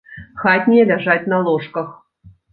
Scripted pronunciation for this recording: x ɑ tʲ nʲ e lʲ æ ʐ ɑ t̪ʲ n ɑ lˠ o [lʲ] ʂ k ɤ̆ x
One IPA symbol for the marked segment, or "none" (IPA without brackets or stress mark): none